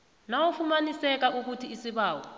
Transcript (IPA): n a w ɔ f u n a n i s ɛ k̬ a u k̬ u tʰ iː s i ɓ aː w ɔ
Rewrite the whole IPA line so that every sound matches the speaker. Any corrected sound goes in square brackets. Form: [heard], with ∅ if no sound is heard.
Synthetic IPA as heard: n a w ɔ f u [m] a n i s ɛ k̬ a u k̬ u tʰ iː s i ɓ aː w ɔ